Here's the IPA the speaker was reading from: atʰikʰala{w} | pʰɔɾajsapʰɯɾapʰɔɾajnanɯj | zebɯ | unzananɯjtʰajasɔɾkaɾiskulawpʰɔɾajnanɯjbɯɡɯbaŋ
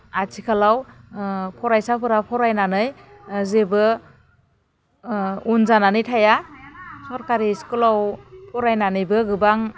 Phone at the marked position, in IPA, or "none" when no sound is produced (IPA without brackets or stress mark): w